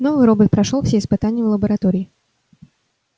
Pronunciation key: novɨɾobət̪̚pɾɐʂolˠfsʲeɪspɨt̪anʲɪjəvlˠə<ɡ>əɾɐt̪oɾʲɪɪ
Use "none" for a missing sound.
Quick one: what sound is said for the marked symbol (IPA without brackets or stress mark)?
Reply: b